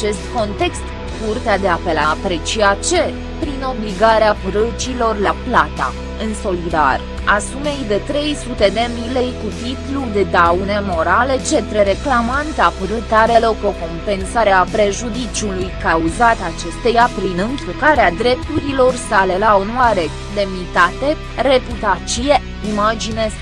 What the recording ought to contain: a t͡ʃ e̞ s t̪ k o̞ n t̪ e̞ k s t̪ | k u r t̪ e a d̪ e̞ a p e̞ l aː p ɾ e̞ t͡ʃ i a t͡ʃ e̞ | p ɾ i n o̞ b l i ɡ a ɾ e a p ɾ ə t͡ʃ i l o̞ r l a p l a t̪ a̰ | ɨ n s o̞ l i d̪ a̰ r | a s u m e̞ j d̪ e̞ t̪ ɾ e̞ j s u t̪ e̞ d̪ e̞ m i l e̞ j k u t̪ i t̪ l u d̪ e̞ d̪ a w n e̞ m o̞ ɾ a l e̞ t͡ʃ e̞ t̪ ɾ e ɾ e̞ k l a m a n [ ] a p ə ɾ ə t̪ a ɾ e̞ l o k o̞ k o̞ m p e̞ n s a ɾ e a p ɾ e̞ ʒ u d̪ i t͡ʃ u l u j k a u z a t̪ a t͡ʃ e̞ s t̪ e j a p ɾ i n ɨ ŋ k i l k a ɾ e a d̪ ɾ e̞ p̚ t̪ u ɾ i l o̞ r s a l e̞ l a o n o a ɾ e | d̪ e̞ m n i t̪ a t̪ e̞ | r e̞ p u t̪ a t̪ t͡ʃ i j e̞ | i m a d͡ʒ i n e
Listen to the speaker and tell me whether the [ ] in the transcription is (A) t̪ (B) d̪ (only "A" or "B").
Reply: A